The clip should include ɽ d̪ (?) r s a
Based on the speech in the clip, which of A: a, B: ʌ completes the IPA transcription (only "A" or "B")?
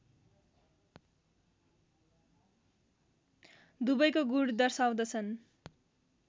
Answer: B